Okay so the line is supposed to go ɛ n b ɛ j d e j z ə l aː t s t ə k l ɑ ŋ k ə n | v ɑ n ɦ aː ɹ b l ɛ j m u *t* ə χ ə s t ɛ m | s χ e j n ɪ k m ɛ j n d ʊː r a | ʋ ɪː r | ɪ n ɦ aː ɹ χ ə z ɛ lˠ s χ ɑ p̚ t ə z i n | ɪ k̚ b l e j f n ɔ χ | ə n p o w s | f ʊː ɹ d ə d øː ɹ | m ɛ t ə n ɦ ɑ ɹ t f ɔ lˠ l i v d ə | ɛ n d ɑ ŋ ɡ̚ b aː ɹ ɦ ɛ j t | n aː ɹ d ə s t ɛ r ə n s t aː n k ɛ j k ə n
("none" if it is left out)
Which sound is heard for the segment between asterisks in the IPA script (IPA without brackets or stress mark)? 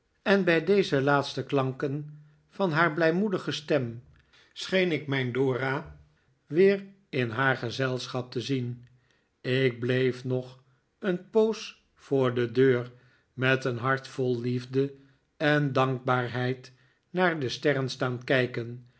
d